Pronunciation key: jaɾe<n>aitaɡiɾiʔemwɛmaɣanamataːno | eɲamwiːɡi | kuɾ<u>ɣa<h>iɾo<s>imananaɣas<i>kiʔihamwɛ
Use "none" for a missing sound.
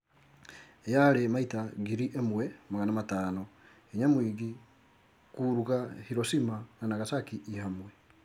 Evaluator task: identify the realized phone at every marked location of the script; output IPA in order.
m, u, h, s, a

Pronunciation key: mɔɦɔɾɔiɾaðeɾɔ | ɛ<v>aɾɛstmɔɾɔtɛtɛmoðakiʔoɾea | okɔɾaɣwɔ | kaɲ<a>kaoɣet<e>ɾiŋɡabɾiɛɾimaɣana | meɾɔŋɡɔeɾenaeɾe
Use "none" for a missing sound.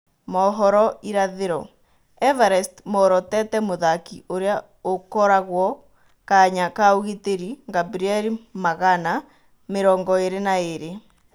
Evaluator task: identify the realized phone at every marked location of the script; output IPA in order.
v, a, e

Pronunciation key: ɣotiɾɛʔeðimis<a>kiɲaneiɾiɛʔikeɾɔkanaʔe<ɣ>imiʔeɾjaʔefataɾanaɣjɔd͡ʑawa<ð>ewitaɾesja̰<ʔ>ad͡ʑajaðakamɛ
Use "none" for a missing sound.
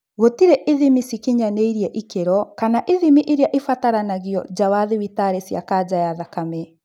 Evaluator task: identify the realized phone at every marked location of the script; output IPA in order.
i, ð, ð, k

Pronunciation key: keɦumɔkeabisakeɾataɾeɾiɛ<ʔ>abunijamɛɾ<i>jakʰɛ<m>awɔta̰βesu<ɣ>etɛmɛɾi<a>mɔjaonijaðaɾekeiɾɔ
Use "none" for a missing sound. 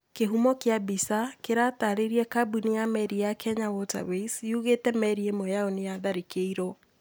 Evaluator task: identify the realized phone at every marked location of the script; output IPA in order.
k, i, ɲ, ɣ, e

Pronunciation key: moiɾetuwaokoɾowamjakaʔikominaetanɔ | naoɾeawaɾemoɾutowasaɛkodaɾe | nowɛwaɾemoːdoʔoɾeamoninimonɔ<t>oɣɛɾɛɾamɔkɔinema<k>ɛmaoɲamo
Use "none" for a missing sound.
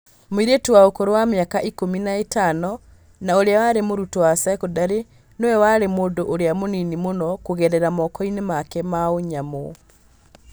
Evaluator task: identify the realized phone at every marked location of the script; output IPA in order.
k, k

